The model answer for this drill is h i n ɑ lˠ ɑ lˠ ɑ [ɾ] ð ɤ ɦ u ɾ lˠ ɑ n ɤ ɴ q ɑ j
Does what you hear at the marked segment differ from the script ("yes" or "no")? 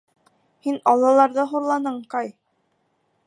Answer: no